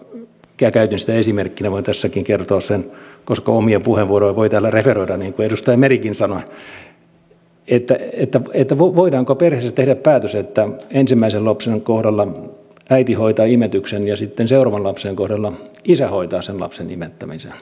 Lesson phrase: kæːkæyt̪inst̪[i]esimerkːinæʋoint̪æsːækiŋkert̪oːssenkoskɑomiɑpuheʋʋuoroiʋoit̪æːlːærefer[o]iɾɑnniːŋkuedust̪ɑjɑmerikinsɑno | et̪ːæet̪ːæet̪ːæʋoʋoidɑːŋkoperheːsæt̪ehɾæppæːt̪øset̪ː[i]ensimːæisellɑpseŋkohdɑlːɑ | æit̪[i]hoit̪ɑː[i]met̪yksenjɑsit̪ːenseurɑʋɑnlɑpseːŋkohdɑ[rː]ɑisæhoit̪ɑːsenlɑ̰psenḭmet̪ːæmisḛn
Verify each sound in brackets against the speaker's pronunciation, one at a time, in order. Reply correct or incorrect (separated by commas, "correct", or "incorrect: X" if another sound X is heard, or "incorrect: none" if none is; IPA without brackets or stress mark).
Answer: incorrect: æ, correct, incorrect: æ, correct, correct, incorrect: lː